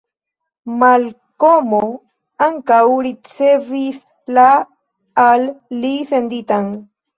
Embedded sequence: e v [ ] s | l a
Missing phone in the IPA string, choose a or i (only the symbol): i